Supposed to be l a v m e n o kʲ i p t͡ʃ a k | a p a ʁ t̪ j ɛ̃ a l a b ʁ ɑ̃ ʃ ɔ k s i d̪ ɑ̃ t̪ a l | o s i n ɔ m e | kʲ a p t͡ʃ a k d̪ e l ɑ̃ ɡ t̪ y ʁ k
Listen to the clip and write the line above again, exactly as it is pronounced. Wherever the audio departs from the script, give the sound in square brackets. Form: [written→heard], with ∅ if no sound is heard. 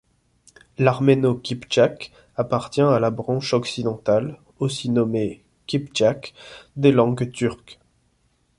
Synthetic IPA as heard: l a [v→ʁ] m e n o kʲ i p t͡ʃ a k | a p a ʁ t̪ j ɛ̃ a l a b ʁ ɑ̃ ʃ ɔ k s i d̪ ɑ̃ t̪ a l | o s i n ɔ m e | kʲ [a→i] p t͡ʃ a k d̪ e l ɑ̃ ɡ t̪ y ʁ k